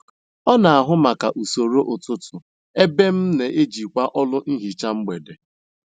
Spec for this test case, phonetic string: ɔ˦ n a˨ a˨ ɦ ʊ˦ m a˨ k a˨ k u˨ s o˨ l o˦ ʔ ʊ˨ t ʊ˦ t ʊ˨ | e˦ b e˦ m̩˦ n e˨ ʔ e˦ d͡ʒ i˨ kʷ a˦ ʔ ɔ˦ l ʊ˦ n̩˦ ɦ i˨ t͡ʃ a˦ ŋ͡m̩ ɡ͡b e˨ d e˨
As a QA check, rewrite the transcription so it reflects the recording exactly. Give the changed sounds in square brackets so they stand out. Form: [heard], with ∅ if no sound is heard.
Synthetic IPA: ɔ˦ n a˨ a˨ ɦ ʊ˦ m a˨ k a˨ [ʔ] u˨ s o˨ [ɾ] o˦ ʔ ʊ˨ t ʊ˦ t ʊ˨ | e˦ b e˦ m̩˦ n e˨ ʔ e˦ d͡ʒ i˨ kʷ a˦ ʔ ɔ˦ l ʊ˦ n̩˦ ɦ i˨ t͡ʃ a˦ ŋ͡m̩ ɡ͡b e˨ d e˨